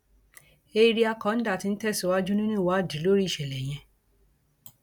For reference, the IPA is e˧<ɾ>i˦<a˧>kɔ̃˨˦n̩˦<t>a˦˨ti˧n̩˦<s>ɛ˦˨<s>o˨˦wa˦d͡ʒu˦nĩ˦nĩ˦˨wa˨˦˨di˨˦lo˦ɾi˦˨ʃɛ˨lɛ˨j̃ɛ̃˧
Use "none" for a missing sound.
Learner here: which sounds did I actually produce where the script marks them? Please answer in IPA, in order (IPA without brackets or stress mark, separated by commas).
ɾ, a˧, d, t, s